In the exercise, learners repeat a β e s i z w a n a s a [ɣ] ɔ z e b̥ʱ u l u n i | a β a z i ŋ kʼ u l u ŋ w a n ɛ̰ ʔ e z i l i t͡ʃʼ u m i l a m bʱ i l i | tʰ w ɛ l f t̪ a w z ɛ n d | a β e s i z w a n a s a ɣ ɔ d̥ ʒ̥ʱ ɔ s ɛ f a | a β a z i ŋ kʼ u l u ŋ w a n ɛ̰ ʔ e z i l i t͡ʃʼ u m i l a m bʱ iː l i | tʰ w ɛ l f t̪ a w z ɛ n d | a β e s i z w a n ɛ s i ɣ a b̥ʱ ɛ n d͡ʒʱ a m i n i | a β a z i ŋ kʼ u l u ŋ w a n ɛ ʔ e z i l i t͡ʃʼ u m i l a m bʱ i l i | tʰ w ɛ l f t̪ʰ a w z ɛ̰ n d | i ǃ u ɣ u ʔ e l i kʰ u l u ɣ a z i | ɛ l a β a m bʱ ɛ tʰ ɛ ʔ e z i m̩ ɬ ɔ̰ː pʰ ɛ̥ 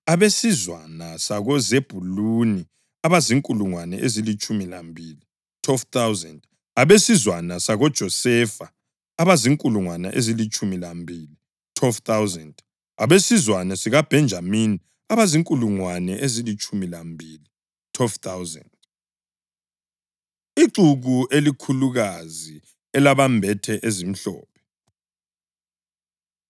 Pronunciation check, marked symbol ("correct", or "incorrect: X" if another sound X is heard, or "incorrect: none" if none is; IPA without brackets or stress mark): correct